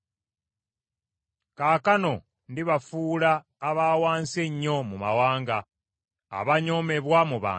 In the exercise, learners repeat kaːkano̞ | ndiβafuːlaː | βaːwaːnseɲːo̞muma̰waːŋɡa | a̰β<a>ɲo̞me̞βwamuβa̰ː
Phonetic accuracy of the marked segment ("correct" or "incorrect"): correct